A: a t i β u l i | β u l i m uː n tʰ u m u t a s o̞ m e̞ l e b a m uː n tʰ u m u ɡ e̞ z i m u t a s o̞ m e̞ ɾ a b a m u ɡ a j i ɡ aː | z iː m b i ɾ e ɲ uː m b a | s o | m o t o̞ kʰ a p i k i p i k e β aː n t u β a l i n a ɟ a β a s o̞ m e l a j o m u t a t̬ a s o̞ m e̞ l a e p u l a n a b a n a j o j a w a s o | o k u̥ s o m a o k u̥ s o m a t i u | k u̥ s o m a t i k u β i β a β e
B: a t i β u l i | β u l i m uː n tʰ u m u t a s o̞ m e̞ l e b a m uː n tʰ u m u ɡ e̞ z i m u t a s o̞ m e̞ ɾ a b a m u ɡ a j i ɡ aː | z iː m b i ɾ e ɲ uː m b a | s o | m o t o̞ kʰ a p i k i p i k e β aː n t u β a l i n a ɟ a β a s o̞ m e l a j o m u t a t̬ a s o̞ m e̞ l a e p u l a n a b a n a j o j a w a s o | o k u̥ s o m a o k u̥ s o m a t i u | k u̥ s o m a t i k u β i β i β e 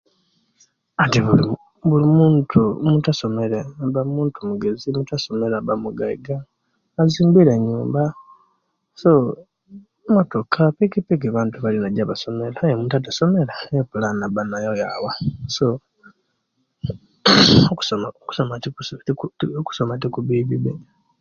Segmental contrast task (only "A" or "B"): B